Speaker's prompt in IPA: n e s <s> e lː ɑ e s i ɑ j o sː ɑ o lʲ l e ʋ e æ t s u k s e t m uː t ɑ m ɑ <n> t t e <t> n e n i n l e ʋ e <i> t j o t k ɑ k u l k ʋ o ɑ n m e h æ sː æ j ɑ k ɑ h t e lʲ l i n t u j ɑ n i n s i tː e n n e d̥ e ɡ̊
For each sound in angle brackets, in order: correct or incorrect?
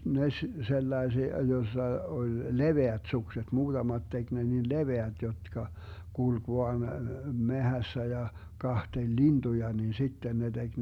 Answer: correct, incorrect: none, incorrect: k, incorrect: æ

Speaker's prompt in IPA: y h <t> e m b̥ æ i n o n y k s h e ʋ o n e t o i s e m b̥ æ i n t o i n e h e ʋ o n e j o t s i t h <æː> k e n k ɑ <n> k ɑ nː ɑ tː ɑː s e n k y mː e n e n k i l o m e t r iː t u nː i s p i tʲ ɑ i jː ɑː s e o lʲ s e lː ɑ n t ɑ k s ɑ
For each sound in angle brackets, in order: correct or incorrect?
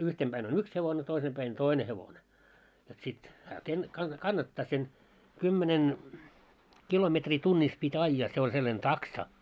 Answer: correct, correct, correct

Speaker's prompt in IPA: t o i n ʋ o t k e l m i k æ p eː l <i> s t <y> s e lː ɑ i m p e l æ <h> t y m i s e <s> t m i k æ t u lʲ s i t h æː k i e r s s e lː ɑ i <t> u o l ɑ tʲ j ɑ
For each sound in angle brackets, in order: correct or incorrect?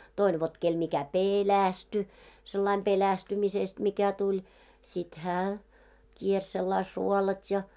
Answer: incorrect: æ, correct, incorrect: s, correct, incorrect: s

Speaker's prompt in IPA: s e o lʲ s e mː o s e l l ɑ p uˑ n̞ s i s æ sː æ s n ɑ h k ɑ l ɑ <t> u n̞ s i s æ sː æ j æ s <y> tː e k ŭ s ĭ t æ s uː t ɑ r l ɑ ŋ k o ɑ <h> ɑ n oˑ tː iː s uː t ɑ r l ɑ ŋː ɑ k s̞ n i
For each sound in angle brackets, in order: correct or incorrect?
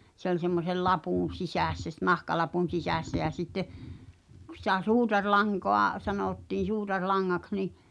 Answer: incorrect: p, incorrect: i, incorrect: s

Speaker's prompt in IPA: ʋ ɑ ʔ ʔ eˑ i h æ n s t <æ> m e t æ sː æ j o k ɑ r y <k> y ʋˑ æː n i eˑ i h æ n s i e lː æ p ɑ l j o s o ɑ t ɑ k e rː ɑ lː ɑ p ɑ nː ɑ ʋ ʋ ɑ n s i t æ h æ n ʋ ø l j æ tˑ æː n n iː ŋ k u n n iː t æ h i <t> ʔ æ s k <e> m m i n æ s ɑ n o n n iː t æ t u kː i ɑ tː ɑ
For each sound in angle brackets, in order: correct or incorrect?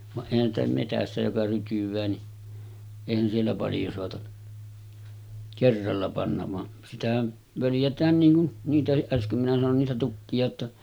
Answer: correct, incorrect: t, incorrect: ʔ, incorrect: ø

